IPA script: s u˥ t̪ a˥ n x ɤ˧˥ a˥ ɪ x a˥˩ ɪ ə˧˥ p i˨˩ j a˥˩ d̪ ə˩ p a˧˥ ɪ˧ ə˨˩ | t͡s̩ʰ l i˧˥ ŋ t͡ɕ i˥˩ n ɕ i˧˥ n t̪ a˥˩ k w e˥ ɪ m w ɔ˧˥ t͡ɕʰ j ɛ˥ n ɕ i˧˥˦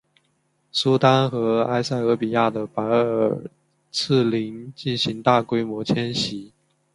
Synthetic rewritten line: s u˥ t̪ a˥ n x ɤ˧˥ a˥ ɪ s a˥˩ ɪ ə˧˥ p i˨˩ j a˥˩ d̪ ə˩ p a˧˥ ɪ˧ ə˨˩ | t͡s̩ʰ l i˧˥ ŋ t͡ɕ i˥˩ n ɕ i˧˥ ŋ t̪ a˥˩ k w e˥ ɪ m w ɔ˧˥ t͡ɕʰ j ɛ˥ n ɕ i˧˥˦